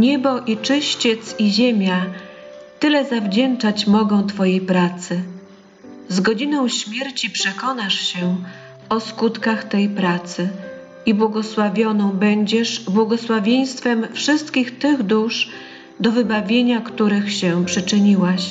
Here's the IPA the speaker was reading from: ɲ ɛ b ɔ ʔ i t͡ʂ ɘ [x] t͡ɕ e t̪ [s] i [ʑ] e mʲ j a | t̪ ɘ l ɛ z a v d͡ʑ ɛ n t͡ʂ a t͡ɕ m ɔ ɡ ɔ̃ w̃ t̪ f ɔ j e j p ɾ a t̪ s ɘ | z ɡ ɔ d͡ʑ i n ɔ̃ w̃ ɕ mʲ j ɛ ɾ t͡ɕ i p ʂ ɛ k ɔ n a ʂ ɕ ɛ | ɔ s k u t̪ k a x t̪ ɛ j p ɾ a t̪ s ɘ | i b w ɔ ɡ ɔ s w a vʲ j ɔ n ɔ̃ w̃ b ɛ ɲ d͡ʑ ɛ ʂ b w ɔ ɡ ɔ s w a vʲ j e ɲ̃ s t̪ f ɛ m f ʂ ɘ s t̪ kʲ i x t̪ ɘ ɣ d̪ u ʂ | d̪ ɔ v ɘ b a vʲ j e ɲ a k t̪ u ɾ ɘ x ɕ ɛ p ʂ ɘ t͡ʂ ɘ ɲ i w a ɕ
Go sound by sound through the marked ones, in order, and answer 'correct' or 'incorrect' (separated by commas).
incorrect, correct, correct